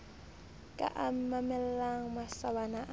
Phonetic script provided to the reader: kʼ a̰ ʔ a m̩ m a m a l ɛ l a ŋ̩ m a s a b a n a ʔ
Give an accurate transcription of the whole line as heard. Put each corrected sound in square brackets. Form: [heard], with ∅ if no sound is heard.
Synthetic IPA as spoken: kʼ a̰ ʔ a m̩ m a m [ɛ] l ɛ l a ŋ̩ m a s a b a n a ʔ